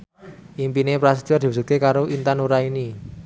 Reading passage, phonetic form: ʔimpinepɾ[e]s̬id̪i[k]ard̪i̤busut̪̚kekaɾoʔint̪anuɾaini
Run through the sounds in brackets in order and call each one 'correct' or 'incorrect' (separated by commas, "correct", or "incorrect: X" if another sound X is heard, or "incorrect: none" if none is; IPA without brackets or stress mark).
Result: incorrect: a, incorrect: none